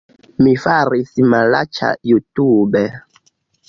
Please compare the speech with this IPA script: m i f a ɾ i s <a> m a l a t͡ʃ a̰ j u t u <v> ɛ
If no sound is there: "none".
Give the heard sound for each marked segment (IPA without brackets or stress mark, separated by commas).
i, b